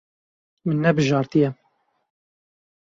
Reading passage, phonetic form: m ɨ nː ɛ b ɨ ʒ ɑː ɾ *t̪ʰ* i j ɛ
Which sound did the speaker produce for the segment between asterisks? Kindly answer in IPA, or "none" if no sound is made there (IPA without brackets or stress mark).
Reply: t̪